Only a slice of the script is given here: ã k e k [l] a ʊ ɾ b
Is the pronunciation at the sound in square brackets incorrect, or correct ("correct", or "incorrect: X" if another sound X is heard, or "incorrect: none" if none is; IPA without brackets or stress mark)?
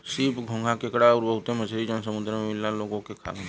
incorrect: ɽ